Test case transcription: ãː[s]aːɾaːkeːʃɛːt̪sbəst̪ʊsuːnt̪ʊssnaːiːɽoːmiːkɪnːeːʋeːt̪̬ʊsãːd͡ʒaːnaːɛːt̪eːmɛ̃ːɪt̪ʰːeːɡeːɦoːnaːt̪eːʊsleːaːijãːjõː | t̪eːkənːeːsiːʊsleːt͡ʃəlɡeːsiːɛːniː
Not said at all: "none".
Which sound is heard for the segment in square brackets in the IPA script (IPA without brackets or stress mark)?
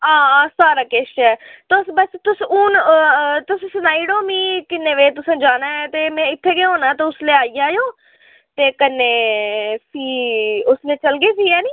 s